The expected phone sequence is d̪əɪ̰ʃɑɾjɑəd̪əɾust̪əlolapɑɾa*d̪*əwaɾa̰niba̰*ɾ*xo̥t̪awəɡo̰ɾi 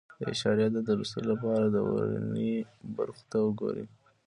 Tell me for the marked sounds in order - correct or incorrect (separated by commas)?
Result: correct, correct